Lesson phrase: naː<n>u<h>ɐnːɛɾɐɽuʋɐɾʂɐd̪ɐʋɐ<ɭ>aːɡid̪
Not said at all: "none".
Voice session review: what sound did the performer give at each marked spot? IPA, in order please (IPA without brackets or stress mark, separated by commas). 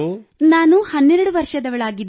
n, h, ɭ